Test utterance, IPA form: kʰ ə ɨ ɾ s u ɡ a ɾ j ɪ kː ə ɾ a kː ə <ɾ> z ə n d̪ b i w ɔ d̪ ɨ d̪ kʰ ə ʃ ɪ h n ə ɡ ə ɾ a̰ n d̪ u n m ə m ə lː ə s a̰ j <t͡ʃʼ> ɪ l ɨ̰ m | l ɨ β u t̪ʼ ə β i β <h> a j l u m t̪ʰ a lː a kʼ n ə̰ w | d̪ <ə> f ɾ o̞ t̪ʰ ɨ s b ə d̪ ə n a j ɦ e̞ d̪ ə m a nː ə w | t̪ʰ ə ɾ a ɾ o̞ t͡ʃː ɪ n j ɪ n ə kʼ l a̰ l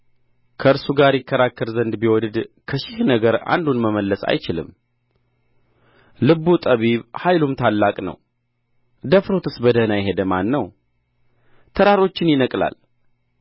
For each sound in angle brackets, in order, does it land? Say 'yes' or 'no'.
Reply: yes, no, yes, yes

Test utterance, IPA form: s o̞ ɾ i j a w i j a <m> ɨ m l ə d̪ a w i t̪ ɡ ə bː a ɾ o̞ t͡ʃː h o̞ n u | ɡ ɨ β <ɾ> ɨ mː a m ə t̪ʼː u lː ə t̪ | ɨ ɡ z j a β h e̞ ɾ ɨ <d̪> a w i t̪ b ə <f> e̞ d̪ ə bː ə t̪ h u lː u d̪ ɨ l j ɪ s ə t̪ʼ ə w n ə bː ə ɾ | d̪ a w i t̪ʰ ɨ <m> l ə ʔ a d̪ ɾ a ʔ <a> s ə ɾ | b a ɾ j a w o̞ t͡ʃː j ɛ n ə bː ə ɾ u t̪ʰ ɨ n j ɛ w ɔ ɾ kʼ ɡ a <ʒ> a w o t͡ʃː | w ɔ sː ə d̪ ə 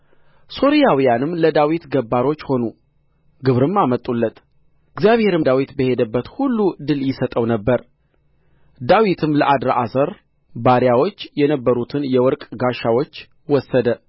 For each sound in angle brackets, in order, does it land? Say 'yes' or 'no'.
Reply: no, yes, yes, no, yes, yes, no

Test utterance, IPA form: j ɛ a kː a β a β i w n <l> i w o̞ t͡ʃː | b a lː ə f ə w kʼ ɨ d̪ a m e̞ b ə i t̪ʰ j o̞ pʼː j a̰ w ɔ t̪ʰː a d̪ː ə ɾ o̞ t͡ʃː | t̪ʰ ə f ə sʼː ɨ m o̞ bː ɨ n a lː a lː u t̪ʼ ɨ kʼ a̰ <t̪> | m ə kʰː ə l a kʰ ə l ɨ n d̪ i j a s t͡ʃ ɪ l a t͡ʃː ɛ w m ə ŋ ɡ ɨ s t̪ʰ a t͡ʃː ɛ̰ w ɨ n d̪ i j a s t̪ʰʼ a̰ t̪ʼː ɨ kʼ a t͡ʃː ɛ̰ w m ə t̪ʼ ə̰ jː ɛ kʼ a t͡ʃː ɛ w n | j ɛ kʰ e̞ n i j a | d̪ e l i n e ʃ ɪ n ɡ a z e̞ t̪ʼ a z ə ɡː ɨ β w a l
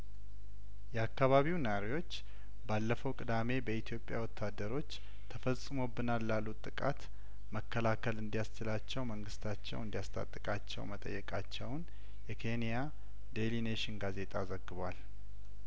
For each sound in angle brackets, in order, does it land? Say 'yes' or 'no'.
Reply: no, yes

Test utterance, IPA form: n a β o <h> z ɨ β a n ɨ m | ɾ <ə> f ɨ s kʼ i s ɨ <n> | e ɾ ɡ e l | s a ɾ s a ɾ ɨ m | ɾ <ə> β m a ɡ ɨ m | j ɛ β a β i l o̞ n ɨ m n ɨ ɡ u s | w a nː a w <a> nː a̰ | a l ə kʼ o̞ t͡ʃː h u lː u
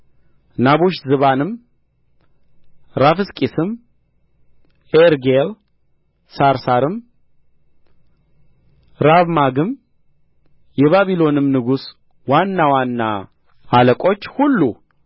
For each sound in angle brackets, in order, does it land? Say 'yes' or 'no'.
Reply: no, no, no, no, yes

